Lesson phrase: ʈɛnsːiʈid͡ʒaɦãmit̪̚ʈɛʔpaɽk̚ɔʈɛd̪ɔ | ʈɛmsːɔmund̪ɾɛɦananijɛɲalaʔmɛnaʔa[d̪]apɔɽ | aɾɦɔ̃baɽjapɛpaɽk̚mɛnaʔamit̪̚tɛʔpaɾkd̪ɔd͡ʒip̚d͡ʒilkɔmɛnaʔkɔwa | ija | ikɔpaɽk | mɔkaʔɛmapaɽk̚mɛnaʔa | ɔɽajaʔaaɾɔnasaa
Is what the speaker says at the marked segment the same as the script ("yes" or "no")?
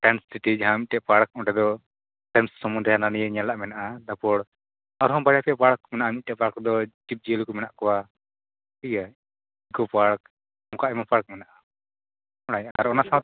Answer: yes